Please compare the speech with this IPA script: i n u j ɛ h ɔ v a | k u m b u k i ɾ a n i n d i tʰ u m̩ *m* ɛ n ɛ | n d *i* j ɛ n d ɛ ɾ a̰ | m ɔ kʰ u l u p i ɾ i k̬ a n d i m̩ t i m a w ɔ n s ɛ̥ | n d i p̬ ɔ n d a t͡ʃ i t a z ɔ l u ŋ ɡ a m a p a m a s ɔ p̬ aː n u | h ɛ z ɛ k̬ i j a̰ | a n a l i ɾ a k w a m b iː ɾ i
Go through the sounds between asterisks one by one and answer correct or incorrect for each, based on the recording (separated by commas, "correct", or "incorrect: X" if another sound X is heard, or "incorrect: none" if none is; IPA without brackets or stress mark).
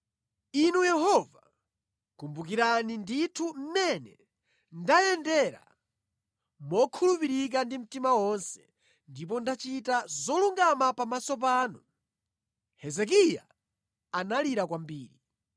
correct, incorrect: a